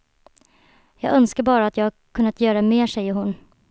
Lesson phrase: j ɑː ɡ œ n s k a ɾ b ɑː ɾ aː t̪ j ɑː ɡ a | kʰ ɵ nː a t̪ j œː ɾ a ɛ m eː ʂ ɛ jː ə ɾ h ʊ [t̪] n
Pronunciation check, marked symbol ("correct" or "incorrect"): incorrect